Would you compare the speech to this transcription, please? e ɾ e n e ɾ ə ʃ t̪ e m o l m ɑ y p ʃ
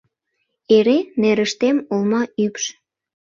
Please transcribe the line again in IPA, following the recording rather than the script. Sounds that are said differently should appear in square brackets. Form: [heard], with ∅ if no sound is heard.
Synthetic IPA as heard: e ɾ e n e ɾ ə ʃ t̪ e m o l m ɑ y p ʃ